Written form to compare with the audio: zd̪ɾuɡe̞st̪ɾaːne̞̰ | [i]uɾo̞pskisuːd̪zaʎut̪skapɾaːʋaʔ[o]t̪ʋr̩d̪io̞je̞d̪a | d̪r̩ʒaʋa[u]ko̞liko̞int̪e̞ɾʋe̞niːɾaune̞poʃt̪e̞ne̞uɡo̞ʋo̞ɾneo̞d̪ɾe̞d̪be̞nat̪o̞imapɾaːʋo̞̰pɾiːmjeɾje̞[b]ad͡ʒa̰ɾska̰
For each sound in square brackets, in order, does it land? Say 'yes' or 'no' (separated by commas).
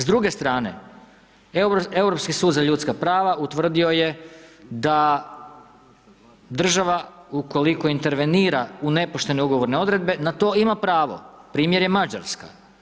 no, no, yes, no